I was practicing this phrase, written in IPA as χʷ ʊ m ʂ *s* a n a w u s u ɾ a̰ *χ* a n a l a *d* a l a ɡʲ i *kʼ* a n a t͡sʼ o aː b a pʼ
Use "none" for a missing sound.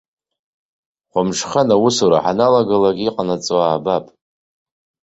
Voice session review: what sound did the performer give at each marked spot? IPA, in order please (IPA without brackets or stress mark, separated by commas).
χ, ħ, ɡ, qʼ